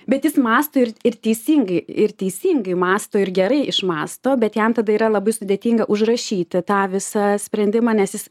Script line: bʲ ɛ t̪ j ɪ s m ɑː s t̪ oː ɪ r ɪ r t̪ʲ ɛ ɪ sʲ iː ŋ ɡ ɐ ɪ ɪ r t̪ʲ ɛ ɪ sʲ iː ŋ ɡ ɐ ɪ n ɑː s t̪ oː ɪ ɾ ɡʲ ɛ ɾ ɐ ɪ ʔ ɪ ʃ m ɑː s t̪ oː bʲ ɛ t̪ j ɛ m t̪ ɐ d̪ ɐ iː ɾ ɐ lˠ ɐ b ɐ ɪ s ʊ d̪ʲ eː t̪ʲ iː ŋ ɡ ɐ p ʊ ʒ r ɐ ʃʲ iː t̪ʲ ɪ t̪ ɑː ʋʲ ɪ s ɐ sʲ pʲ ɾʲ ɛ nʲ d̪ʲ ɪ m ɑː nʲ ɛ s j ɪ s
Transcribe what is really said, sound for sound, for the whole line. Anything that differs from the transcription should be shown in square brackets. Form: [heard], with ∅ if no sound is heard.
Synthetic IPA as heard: bʲ ɛ t̪ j ɪ s m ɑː s t̪ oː ɪ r ɪ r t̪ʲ ɛ ɪ sʲ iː ŋ ɡ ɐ ɪ ɪ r t̪ʲ ɛ ɪ sʲ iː ŋ ɡ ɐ ɪ [m] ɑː s t̪ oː ɪ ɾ ɡʲ ɛ ɾ ɐ ɪ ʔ ɪ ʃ m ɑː s t̪ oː bʲ ɛ t̪ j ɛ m t̪ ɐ d̪ ɐ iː ɾ ɐ lˠ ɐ b ɐ ɪ s ʊ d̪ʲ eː t̪ʲ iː ŋ ɡ ɐ [ʔ] ʊ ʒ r ɐ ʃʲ iː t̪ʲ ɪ t̪ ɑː ʋʲ ɪ s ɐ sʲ pʲ ɾʲ ɛ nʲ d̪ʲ ɪ m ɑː nʲ ɛ s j ɪ s